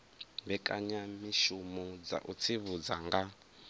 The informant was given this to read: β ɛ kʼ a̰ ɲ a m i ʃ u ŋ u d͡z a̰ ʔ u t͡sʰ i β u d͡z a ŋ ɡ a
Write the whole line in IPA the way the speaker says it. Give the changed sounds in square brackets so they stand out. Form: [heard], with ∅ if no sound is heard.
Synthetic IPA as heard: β ɛ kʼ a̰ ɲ a m i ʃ u [m] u d͡z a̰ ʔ u t͡sʰ i β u d͡z a ŋ ɡ a